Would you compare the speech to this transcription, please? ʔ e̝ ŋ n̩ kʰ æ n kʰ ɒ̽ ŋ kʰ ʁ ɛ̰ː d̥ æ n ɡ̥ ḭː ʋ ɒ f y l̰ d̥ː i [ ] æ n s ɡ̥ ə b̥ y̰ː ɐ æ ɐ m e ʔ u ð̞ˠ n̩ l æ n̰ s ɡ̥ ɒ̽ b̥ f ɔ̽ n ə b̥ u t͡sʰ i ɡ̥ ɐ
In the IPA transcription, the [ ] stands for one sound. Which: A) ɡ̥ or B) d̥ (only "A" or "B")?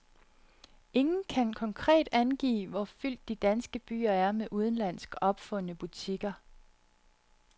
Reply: B